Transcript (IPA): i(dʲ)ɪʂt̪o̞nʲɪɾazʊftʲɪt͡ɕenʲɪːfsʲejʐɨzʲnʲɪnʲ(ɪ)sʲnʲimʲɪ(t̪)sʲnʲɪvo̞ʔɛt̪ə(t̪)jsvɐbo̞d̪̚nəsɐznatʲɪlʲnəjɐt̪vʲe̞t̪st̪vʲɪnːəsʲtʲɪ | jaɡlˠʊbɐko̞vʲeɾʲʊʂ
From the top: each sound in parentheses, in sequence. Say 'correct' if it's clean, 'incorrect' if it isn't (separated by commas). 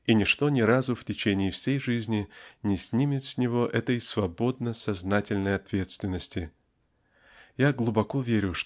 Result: incorrect, correct, correct, incorrect